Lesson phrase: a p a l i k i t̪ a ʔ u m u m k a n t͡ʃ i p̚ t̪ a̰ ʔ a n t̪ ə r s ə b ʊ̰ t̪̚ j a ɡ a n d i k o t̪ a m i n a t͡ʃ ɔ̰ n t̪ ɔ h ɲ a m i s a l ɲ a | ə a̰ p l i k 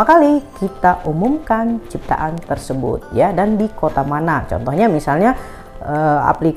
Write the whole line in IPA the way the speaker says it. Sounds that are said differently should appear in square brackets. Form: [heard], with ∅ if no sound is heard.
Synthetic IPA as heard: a [k] a l i k i t̪ a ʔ u m u m k a n t͡ʃ i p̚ t̪ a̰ ʔ a n t̪ ə r s ə b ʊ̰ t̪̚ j a [d] a n d i k o t̪ a m [a] n a t͡ʃ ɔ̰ n t̪ ɔ h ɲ a m i s a l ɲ a | ə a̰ p l i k